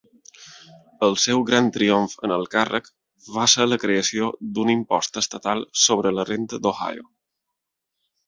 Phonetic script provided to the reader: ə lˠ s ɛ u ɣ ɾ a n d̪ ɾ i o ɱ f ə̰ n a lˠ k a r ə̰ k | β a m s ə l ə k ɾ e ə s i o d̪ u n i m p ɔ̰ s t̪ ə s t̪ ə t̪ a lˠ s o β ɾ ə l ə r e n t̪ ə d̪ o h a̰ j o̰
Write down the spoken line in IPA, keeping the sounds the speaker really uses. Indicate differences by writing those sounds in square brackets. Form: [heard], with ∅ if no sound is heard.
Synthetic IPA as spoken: ə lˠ s ɛ [w] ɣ ɾ a n [t̪] ɾ i o ɱ f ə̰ n [ə] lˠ k a r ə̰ k | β a [∅] s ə l ə k ɾ e ə s i o d̪ u n i m p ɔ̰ s t̪ ə s t̪ ə t̪ a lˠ s o β ɾ ə l ə r e n t̪ ə d̪ o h a̰ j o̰